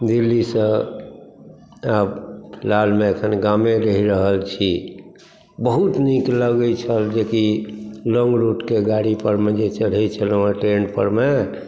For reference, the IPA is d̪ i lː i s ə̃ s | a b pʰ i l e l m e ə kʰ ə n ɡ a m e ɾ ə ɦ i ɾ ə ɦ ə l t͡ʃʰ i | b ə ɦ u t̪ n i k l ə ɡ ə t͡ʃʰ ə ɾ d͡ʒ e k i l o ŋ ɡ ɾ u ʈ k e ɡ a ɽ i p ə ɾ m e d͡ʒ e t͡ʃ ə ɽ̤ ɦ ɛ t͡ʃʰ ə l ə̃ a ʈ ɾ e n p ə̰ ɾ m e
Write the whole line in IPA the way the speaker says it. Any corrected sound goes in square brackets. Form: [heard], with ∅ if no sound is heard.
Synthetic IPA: d̪ i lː i s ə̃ [∅] | a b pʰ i l [a] l m e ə kʰ ə n ɡ a m e ɾ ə ɦ i ɾ ə ɦ ə l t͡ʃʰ i | b ə ɦ u t̪ n i k l ə ɡ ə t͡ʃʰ ə [l] d͡ʒ e k i l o ŋ ɡ ɾ u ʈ k e ɡ a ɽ i p ə ɾ m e d͡ʒ e t͡ʃ ə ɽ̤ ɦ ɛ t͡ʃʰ ə l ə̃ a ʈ ɾ e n p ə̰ ɾ m e